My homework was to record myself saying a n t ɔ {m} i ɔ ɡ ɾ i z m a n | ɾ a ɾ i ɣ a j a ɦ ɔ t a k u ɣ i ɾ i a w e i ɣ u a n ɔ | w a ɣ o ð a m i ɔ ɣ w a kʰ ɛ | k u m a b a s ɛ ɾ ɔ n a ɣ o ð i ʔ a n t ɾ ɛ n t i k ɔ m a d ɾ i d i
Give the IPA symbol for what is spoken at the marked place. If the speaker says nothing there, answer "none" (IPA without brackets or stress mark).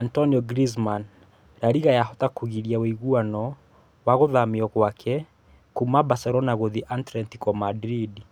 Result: n